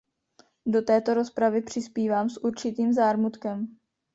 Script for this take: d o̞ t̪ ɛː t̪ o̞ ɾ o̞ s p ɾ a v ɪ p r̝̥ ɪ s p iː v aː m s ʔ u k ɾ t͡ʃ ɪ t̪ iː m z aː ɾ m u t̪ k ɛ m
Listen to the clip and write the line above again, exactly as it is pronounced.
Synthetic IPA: d o̞ t̪ ɛː t̪ o̞ ɾ o̞ s p ɾ a v ɪ p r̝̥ ɪ s p iː v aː m s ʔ u ɾ t͡ʃ ɪ t̪ iː m z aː ɾ m u t̪ k ɛ m

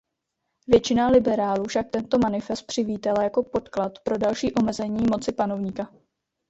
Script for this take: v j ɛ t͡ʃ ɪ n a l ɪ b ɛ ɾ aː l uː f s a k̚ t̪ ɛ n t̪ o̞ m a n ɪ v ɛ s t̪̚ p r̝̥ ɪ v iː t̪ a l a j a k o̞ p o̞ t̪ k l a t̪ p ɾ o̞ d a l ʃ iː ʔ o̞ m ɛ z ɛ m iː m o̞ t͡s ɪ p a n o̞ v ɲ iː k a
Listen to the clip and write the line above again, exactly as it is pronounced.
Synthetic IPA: v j ɛ t͡ʃ ɪ n a l ɪ b ɛ ɾ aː l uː f ʃ a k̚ t̪ ɛ n t̪ o̞ m a n ɪ f ɛ s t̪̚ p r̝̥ ɪ v iː t̪ a l a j a k o̞ p o̞ t̪ k l a t̪ p ɾ o̞ d a l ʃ iː ʔ o̞ m ɛ z ɛ ɲ iː m o̞ t͡s ɪ p a n o̞ v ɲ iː k a

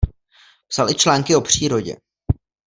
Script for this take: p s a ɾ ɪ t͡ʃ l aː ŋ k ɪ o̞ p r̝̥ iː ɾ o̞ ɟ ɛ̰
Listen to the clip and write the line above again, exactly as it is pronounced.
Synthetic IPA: p s a l ɪ t͡ʃ l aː ŋ k ɪ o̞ p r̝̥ iː ɾ o̞ ɟ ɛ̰

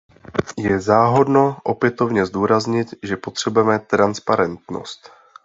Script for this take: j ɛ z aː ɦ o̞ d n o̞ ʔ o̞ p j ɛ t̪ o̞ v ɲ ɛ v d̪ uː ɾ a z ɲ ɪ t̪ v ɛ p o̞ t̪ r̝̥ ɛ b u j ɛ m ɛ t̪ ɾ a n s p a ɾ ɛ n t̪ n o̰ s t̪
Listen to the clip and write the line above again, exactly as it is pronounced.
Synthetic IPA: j ɛ z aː ɦ o̞ d n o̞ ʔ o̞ p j ɛ t̪ o̞ v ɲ ɛ z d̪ uː ɾ a z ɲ ɪ t̪ ʒ ɛ p o̞ t̪ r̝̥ ɛ b u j ɛ m ɛ t̪ ɾ a n s p a ɾ ɛ n t̪ n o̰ s t̪

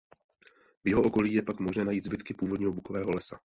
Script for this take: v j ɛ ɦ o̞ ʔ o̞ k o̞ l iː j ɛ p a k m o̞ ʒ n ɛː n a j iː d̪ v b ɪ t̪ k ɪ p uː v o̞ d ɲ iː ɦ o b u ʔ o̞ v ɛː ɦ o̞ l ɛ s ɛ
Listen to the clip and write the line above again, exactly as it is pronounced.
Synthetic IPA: v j ɛ ɦ o̞ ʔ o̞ k o̞ l iː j ɛ p a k m o̞ ʒ n ɛː n a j iː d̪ z b ɪ t̪ k ɪ p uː v o̞ d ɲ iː ɦ o b u k o̞ v ɛː ɦ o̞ l ɛ s a

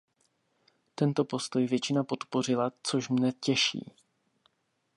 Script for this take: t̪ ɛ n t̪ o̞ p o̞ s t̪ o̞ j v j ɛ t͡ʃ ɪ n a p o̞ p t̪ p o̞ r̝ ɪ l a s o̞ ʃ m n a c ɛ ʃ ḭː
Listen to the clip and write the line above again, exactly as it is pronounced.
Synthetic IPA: t̪ ɛ n t̪ o̞ p o̞ s t̪ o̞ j v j ɛ t͡ʃ ɪ n a p o̞ t̪ p o̞ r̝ ɪ l a t͡s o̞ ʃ m n ɛ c ɛ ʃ ḭː

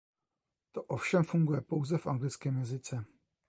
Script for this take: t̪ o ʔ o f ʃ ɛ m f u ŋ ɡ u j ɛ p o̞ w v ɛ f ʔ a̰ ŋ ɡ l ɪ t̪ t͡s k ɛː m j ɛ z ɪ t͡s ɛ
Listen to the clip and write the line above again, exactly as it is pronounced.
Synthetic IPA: t̪ o ʔ o f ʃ ɛ m f u ŋ ɡ u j ɛ p o̞ w z ɛ f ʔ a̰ ŋ ɡ l ɪ t͡s k ɛː m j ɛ z ɪ t͡s ɛ

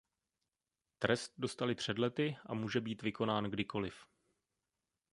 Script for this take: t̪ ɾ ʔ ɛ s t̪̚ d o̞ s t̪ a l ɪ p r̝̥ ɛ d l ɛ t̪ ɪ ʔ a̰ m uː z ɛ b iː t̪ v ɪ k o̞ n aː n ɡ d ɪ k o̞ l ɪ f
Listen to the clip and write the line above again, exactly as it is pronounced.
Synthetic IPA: t̪ ɾ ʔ ɛ s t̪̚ d o̞ s t̪ a l ɪ p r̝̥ ɛ d l ɛ t̪ ɪ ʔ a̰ m uː ʒ ɛ b iː t̪ v ɪ k o̞ n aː n ɡ d ɪ k o̞ l ɪ f

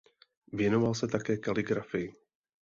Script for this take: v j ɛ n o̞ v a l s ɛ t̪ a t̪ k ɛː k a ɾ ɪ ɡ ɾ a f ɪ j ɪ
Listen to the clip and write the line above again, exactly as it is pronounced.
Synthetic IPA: v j ɛ n o̞ v a l s ɛ t̪ a k ɛː k a l ɪ ɡ ɾ a f ɪ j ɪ

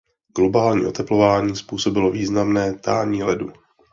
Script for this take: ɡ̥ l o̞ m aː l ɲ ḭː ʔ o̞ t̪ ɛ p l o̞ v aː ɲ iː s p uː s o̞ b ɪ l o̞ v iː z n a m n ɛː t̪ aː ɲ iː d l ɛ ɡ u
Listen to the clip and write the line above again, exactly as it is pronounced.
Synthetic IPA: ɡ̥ l o̞ b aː l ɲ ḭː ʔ o̞ t̪ ɛ p l o̞ v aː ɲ iː s p uː s o̞ b ɪ l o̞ v iː z n a m n ɛː t̪ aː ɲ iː l ɛ d u

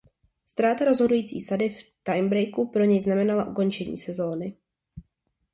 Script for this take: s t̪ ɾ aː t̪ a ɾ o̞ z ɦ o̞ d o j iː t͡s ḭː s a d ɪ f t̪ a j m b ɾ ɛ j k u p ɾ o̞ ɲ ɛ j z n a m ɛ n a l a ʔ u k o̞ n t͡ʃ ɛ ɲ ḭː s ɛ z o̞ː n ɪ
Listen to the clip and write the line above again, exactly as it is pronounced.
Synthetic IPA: s t̪ ɾ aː t̪ a ɾ o̞ z ɦ o̞ d u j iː t͡s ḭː s a d ɪ f t̪ a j m b ɾ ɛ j k u p ɾ o̞ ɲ ɛ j z n a m ɛ n a l a ʔ u k o̞ n t͡ʃ ɛ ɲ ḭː s ɛ z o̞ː n ɪ

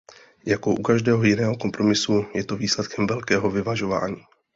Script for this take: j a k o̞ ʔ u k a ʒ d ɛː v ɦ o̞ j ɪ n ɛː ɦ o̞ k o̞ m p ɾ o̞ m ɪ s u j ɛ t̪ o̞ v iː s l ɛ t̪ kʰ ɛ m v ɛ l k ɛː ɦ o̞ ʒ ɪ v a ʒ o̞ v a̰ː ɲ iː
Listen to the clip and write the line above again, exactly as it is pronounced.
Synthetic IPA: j a k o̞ ʔ u k a ʒ d ɛː ɦ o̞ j ɪ n ɛː ɦ o̞ k o̞ m p ɾ o̞ m ɪ s u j ɛ t̪ o̞ v iː s l ɛ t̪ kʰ ɛ m v ɛ l k ɛː ɦ o̞ v ɪ v a ʒ o̞ v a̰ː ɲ iː

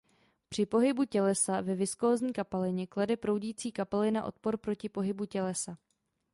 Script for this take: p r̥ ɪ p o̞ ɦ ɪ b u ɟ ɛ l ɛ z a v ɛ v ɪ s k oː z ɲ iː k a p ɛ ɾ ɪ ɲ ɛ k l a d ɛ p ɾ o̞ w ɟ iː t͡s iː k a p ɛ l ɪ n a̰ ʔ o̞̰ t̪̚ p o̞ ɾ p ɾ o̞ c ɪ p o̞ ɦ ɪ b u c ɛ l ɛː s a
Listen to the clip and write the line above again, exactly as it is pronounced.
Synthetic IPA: p r̥ ɪ p o̞ ɦ ɪ b u c ɛ l ɛ s a v ɛ v ɪ s k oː z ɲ iː k a p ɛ l ɪ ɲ ɛ k l a d ɛ p ɾ o̞ w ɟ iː t͡s iː k a p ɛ l ɪ n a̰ ʔ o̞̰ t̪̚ p o̞ ɾ p ɾ o̞ c ɪ p o̞ ɦ ɪ b u c ɛ l ɛ s a

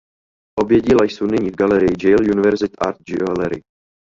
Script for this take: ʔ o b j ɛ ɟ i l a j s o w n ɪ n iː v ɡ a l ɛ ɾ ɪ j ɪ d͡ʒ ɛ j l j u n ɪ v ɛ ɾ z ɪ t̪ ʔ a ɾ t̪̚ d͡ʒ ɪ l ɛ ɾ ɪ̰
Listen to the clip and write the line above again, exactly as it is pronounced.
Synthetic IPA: ʔ o b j ɛ ɟ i l a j s o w n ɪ ɲ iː v ɡ a l ɛ ɾ ɪ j ɪ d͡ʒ ɛ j l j u n ɪ v ɛ ɾ z ɪ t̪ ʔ a ɾ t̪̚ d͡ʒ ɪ l ɛ ɾ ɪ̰

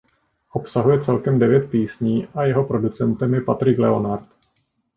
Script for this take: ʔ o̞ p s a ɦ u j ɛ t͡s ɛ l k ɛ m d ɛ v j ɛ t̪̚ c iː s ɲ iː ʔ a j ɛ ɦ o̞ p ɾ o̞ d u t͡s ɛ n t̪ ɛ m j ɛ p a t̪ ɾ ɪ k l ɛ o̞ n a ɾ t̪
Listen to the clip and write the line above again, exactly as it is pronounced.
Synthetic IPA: ʔ o̞ p s a ɦ u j ɛ t͡s ɛ l k ɛ m d ɛ v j ɛ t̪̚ p iː s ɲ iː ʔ a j ɛ ɦ o̞ p ɾ o̞ d u t͡s ɛ n t̪ ɛ m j ɛ p a t̪ ɾ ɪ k l ɛ o̞ n a ɾ t̪

